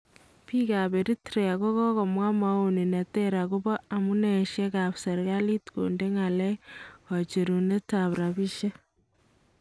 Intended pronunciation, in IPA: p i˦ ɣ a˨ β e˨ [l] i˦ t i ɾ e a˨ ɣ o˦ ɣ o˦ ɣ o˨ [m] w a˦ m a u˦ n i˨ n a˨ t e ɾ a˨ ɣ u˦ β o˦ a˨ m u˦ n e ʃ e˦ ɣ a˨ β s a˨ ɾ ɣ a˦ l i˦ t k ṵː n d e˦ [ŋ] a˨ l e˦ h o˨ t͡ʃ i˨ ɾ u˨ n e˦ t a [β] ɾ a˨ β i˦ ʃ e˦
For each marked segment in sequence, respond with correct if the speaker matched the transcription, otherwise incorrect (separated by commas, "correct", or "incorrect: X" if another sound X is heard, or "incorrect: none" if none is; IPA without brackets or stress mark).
incorrect: ɾ, correct, correct, correct